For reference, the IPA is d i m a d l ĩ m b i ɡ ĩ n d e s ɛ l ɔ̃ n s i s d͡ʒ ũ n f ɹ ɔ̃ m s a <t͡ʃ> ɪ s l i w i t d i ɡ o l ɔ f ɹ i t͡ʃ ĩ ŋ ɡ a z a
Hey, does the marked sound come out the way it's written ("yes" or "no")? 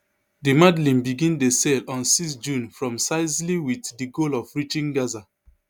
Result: no